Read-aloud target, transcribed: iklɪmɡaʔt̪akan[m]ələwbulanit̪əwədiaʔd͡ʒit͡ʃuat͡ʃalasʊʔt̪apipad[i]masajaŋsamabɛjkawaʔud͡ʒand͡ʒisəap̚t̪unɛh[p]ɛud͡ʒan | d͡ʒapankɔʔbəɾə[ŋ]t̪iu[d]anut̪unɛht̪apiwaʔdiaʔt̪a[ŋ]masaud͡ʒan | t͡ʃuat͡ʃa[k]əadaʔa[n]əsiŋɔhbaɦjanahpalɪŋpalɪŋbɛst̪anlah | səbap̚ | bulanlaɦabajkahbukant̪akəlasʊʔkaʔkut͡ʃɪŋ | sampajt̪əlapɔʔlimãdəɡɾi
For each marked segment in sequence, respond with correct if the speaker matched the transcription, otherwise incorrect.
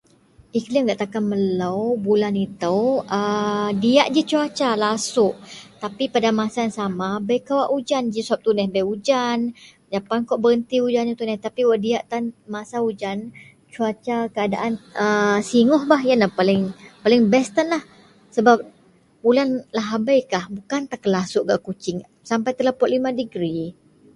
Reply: correct, incorrect, incorrect, incorrect, incorrect, incorrect, correct, correct

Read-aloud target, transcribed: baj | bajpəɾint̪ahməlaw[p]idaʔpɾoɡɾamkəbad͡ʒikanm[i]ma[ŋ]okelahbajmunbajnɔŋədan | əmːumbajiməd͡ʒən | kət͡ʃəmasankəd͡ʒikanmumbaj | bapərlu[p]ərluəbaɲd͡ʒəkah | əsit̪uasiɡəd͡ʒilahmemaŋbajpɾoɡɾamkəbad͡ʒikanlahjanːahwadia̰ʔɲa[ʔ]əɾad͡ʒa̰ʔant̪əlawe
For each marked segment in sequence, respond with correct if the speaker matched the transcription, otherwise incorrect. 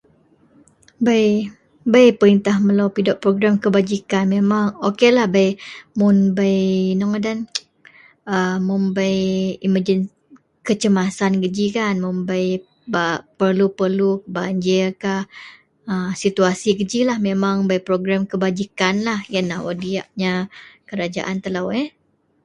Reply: correct, incorrect, correct, correct, incorrect

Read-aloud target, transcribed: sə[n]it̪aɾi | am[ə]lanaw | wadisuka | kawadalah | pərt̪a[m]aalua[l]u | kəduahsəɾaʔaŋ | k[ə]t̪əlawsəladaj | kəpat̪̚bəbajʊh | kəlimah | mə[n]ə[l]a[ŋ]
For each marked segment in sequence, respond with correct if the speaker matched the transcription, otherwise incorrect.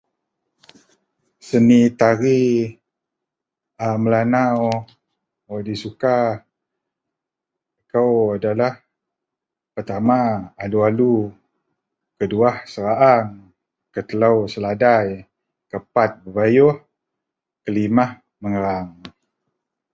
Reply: correct, correct, correct, correct, correct, incorrect, incorrect, correct

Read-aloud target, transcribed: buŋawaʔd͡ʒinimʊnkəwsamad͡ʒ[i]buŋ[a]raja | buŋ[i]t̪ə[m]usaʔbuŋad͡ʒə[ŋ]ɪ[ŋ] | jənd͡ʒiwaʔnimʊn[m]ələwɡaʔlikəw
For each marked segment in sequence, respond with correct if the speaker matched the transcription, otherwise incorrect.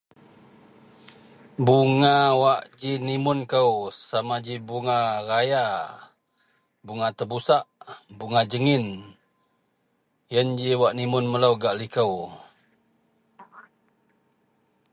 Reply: correct, correct, incorrect, incorrect, correct, incorrect, correct

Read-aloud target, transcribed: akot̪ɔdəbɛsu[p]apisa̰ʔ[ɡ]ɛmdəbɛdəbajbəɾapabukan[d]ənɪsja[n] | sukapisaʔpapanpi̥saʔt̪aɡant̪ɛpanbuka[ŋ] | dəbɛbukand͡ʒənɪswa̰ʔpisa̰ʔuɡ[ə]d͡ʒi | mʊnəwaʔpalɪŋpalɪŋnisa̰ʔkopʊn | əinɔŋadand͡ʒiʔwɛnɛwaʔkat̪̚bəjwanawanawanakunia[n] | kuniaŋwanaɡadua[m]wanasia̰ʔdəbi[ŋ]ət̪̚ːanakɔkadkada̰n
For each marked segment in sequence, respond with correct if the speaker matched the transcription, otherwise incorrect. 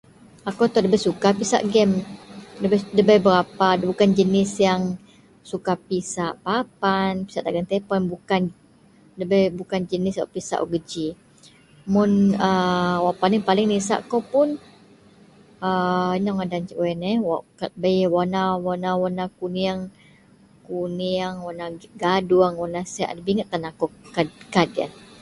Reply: incorrect, correct, incorrect, incorrect, incorrect, correct, incorrect, incorrect, correct

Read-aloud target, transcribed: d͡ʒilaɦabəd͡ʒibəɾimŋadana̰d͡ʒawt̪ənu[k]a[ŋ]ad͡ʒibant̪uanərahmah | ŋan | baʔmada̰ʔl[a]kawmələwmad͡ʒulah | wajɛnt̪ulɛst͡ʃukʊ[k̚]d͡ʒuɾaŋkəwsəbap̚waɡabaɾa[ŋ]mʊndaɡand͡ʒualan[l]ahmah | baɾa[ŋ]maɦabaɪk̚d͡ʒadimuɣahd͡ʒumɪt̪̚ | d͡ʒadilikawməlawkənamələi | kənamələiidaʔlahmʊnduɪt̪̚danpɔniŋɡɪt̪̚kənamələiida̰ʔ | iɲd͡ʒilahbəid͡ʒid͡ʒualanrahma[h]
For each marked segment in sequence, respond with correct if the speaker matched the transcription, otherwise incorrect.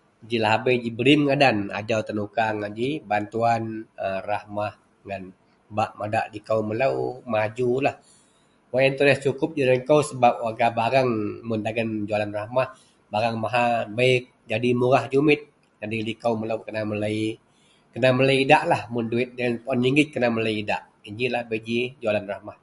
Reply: correct, correct, incorrect, incorrect, correct, incorrect, correct, correct

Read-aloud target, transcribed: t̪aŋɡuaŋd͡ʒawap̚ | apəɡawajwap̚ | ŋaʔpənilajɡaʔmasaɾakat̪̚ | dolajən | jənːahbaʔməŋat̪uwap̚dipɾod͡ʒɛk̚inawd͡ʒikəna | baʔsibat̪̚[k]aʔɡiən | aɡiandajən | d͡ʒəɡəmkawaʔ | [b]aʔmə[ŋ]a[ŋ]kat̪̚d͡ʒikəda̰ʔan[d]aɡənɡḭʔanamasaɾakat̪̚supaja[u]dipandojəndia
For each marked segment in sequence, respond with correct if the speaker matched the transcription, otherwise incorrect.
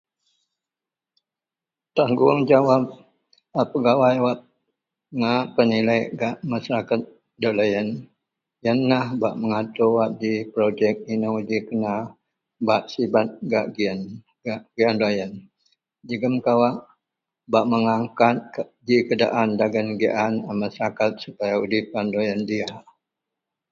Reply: incorrect, correct, correct, correct, correct, correct

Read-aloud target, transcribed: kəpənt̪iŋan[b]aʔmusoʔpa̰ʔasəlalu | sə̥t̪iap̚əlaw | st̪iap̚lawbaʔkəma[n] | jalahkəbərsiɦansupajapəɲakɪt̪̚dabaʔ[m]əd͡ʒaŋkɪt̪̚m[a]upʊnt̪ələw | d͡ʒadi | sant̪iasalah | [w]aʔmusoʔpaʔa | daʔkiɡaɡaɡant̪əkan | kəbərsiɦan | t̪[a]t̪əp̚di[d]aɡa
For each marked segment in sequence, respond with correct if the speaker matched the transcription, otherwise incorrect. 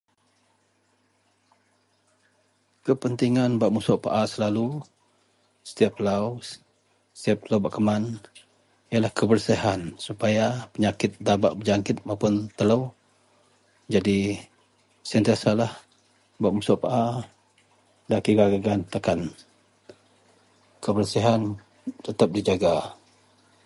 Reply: correct, correct, incorrect, correct, incorrect, incorrect, incorrect

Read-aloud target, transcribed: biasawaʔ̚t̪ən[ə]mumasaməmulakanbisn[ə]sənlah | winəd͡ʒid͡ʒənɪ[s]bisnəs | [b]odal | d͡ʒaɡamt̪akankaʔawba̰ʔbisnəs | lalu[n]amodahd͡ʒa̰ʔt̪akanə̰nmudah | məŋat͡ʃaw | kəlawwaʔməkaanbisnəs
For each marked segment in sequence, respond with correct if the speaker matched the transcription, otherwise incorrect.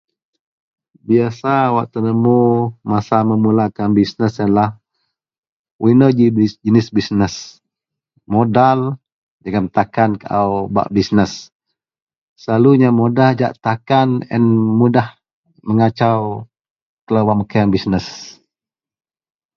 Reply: correct, correct, correct, incorrect, incorrect

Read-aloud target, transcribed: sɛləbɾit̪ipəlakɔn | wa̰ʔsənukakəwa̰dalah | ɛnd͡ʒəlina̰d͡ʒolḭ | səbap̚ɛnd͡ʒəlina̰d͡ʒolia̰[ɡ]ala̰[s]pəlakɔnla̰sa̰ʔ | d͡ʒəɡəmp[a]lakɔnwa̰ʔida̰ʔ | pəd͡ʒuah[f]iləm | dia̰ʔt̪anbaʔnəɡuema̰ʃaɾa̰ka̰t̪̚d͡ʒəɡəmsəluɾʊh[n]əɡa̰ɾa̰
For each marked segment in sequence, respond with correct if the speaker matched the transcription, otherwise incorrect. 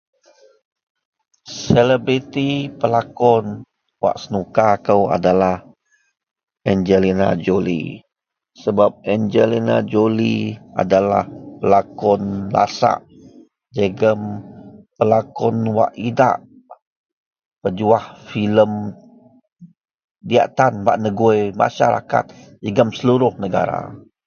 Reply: incorrect, incorrect, incorrect, correct, correct

